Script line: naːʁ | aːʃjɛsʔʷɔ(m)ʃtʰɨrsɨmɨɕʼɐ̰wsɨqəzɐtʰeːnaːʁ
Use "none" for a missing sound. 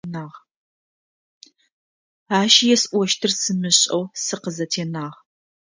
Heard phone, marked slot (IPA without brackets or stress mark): none